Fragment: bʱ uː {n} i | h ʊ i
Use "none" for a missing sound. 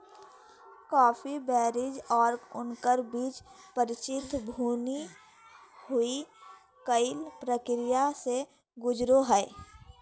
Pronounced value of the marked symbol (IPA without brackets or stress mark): n